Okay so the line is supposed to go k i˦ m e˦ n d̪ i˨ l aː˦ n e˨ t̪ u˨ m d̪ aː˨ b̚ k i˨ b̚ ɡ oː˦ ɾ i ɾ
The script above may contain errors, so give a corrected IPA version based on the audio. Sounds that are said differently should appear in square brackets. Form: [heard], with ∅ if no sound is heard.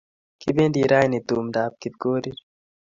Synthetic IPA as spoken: k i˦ [b] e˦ n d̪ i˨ [ɾ] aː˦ n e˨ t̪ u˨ m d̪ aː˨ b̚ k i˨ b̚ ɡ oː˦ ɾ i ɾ